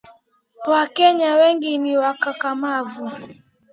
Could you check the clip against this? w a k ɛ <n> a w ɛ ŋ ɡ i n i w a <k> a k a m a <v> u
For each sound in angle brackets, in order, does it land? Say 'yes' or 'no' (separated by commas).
no, yes, yes